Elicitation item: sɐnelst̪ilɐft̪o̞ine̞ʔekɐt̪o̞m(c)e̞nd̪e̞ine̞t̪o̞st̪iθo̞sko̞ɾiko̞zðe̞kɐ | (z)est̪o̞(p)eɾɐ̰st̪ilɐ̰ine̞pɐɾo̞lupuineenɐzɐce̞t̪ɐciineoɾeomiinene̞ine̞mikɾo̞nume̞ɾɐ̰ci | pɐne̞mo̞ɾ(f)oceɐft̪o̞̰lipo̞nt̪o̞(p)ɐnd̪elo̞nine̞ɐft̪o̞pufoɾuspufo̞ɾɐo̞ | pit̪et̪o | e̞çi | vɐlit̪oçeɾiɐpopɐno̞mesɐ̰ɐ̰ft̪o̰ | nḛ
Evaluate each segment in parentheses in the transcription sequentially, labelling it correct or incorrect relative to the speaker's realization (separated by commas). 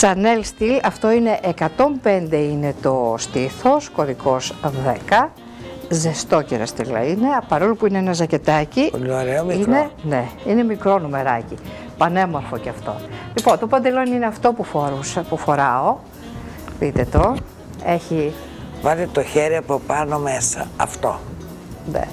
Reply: incorrect, correct, incorrect, correct, correct